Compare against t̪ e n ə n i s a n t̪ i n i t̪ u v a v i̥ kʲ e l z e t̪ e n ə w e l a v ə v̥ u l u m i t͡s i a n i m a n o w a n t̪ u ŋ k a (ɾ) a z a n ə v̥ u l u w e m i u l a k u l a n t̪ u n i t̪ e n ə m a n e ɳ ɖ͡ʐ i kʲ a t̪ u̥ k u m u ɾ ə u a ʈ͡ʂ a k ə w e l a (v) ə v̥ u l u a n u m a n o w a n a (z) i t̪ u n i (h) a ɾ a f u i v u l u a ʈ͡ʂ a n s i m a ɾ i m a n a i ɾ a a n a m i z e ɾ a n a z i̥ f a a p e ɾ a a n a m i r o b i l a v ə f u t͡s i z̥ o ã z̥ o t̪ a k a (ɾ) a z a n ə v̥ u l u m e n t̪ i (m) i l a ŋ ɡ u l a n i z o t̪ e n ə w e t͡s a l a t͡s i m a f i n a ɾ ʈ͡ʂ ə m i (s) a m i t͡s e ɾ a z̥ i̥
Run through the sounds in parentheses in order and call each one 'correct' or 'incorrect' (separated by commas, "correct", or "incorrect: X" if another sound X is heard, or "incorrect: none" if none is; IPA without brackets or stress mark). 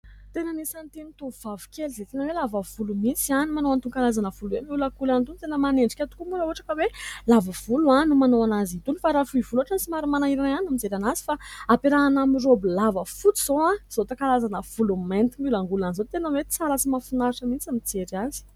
incorrect: l, correct, correct, incorrect: f, incorrect: l, correct, incorrect: t͡s